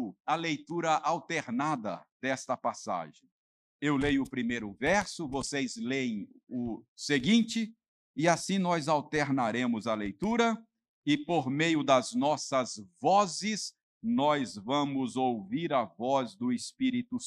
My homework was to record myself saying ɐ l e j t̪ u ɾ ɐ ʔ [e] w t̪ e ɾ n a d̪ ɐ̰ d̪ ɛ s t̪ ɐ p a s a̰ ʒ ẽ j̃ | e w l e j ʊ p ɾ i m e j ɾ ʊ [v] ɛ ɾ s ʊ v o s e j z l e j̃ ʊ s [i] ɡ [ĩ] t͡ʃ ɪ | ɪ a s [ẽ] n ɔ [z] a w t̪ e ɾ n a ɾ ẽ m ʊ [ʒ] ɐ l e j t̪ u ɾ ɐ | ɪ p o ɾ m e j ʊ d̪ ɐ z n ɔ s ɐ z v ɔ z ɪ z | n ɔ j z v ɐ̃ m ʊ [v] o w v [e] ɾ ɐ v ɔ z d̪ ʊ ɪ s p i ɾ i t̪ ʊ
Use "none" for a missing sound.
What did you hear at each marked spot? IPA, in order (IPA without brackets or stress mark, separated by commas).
a, v, e, ĩ, ĩ, z, z, z, i